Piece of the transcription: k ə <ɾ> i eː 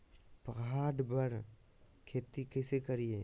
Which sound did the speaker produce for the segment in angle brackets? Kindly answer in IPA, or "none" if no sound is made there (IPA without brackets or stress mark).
ɾ